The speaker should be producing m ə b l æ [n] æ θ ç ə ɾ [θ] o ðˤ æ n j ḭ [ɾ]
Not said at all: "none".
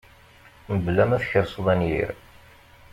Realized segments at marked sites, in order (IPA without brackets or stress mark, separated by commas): m, s, ɾ